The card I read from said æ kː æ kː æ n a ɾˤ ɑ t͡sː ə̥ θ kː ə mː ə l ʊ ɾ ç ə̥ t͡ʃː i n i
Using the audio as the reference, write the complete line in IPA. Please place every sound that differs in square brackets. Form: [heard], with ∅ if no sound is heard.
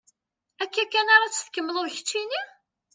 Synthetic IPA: æ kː æ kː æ n a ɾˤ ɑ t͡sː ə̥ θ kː ə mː ə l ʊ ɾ ç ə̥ t͡ʃː i n i